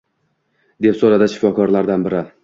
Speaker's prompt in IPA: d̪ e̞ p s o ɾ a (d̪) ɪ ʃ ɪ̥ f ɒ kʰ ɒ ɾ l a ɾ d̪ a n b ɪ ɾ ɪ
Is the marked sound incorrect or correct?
correct